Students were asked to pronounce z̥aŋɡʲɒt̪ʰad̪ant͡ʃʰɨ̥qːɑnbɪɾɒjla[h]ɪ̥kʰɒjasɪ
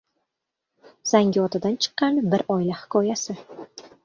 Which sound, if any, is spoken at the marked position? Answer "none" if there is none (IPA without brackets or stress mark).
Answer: h